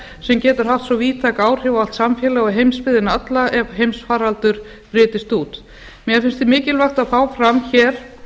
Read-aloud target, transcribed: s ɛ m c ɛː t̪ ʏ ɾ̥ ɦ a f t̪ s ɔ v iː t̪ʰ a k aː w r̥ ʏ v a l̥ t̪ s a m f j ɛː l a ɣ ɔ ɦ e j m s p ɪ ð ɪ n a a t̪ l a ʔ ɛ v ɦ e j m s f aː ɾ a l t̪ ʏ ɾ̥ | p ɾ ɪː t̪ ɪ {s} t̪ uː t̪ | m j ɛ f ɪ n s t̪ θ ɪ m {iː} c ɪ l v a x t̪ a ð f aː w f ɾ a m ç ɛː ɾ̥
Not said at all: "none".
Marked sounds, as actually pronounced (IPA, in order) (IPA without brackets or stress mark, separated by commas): s, ɪː